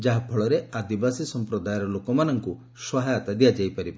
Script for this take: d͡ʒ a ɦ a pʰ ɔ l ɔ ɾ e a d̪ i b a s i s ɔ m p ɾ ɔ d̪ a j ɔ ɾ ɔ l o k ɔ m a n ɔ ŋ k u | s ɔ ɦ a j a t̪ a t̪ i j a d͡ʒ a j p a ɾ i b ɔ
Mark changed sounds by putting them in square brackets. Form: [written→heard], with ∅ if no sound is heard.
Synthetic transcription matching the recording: d͡ʒ a ɦ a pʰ ɔ [l→ɭ] ɔ ɾ e a d̪ i b a s i s ɔ m p ɾ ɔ d̪ a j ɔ ɾ ɔ l o k ɔ m a n ɔ ŋ k u | s ɔ ɦ a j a t̪ a [t̪→d̪] i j a d͡ʒ a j p a ɾ i b ɔ